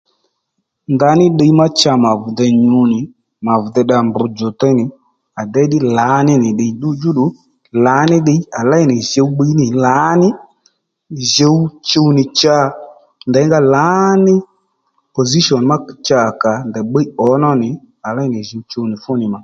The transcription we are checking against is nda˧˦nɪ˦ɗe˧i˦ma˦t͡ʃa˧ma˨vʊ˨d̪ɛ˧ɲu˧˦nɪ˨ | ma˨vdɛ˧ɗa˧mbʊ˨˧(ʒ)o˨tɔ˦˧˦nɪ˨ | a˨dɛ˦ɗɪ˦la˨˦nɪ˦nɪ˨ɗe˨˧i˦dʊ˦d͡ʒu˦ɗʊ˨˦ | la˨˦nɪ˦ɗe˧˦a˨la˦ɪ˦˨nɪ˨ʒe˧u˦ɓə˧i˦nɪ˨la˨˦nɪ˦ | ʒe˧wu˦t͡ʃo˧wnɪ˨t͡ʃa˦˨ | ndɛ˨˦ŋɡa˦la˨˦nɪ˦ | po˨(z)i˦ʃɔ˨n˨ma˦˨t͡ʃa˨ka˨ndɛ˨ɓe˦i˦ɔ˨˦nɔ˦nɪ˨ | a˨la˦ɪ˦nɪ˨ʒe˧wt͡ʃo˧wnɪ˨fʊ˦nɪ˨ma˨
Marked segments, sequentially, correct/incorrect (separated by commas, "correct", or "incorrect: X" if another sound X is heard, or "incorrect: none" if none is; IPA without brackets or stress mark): incorrect: d͡ʒ, correct